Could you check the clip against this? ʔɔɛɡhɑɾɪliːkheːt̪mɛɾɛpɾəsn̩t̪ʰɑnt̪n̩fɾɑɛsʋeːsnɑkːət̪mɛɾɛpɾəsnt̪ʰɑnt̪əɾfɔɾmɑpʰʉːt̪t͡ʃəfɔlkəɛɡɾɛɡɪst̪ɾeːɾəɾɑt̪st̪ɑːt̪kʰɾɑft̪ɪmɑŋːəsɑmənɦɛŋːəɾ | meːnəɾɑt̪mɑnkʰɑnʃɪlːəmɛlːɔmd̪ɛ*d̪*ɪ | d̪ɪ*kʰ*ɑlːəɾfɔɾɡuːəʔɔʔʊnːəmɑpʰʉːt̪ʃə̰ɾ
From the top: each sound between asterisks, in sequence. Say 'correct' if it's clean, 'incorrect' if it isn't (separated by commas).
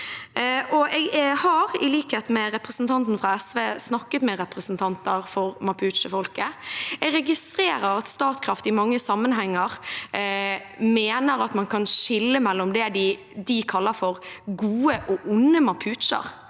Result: correct, correct